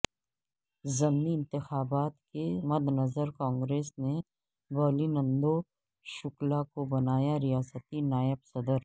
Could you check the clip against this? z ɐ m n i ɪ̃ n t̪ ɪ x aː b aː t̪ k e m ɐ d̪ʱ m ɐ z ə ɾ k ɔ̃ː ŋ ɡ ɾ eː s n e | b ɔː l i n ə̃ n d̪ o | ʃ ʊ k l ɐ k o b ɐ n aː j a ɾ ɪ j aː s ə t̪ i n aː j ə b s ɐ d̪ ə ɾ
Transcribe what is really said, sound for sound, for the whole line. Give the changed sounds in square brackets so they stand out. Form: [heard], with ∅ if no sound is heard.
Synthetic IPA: z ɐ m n i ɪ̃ n t̪ ɪ x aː b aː t̪ k e m ɐ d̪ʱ [n] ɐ z ə ɾ k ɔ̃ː ŋ ɡ ɾ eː s n e | b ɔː l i n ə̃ n d̪ o | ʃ ʊ k l [a] k o b ɐ n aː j a ɾ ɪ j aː s ə t̪ i n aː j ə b s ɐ d̪ ə ɾ